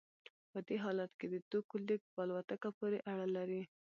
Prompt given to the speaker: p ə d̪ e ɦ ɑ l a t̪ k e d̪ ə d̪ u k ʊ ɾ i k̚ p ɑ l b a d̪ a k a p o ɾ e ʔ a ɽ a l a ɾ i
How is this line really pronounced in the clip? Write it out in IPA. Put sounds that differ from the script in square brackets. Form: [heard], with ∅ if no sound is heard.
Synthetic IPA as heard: p ə d̪ e ɦ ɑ l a t̪ k e d̪ ə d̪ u k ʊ [l] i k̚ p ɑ l [w] a [t̪] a k a p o ɾ e ʔ a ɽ a l a ɾ i